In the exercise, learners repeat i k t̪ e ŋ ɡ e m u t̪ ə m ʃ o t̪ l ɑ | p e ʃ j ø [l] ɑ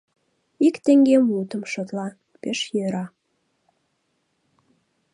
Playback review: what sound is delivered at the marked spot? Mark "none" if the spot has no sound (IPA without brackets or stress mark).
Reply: ɾ